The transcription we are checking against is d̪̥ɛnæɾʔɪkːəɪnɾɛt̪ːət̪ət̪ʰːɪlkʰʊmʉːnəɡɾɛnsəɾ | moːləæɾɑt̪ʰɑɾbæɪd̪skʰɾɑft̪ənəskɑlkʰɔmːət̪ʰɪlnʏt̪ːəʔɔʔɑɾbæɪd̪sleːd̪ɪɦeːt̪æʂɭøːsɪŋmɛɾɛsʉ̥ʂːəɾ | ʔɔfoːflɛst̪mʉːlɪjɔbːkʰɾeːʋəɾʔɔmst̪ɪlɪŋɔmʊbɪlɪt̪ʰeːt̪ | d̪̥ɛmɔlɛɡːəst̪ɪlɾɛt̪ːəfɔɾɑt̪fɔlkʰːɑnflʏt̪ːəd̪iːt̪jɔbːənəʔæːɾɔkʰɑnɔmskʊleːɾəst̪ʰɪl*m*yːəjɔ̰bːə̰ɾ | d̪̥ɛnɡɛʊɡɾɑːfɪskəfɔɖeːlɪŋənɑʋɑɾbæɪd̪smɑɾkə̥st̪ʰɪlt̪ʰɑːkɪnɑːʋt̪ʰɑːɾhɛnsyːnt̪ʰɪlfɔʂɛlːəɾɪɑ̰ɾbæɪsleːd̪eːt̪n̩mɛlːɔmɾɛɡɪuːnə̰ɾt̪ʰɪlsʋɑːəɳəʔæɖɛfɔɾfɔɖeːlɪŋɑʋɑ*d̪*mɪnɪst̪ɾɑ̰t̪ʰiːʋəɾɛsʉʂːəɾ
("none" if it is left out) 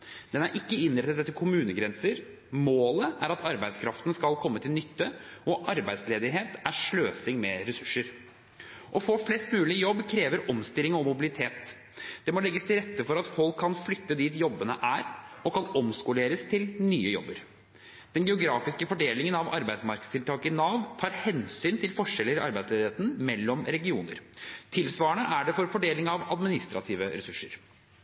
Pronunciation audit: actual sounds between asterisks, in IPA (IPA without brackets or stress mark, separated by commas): n, d̪